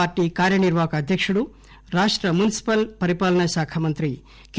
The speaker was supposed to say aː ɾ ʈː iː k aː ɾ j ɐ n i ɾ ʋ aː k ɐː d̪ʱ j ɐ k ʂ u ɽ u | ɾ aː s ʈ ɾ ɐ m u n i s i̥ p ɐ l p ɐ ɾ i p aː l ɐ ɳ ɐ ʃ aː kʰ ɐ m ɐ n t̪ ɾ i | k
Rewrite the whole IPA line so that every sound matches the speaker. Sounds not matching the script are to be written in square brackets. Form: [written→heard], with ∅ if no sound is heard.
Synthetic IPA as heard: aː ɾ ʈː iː k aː ɾ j ɐ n i ɾ ʋ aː k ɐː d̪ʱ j ɐ k ʂ u ɽ u | ɾ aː [s→ʂ] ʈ ɾ ɐ m u n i s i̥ p ɐ l p ɐ ɾ i p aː l ɐ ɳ ɐ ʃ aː kʰ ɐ m ɐ n t̪ ɾ i | k